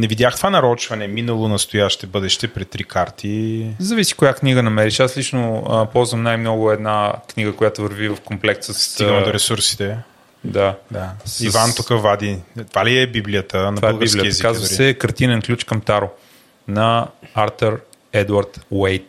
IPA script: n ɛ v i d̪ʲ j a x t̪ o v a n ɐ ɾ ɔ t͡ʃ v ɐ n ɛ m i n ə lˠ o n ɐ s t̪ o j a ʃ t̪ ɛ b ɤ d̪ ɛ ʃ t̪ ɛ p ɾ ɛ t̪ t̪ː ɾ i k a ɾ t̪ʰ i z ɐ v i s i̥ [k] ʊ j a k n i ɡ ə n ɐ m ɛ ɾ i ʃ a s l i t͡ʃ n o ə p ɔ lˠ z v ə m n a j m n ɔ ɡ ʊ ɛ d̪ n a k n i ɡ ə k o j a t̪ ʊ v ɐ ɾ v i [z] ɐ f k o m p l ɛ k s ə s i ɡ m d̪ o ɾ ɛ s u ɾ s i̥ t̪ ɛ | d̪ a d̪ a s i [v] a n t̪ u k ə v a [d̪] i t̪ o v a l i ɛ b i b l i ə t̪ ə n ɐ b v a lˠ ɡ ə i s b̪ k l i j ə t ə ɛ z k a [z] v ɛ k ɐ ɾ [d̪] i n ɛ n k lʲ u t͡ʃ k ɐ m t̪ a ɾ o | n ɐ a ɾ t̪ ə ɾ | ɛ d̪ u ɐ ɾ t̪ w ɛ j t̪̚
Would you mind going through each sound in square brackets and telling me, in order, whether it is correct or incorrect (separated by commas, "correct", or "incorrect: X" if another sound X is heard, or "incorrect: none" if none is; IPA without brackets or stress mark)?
correct, incorrect: v, correct, correct, correct, incorrect: t̪